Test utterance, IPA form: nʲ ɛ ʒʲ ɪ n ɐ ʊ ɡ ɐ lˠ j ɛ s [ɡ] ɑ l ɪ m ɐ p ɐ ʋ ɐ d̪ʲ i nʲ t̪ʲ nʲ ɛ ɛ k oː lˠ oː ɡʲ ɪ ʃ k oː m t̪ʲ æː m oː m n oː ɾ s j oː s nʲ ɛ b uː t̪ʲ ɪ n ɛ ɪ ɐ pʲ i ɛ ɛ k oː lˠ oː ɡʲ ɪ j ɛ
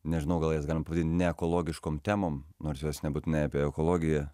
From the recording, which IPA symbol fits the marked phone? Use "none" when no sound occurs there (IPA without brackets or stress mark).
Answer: ɡ